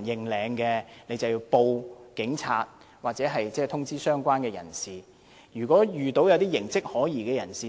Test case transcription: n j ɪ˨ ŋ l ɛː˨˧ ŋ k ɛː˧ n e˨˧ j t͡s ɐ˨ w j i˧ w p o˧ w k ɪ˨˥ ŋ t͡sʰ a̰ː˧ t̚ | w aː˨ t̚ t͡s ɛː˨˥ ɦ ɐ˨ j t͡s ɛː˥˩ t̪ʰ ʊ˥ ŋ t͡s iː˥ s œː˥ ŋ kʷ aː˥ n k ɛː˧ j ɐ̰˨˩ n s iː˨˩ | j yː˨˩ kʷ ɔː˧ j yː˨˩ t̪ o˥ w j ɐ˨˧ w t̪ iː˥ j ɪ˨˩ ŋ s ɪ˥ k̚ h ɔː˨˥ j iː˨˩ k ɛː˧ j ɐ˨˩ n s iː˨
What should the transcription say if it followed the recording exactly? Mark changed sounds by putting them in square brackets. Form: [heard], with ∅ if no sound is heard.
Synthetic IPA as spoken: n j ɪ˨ ŋ l ɛː˨˧ ŋ k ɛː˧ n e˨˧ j t͡s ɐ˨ w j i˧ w p o˧ w k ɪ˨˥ ŋ t͡sʰ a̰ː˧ t̚ | w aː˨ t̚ t͡s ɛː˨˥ ɦ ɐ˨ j t͡s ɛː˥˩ t̪ʰ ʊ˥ ŋ t͡s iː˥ s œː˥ ŋ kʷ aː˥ n k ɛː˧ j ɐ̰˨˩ n s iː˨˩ | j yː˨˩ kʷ [ɔː˨˥] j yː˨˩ t̪ [o˨˥] w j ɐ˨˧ w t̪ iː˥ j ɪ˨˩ ŋ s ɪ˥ k̚ h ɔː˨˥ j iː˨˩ k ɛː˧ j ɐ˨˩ n s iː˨